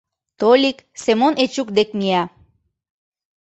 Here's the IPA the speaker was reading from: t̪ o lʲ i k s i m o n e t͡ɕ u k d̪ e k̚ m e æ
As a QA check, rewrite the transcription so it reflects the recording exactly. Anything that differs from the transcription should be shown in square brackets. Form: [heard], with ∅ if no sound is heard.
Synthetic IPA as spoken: t̪ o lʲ i k s [e] m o n e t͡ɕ u k d̪ e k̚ m [i] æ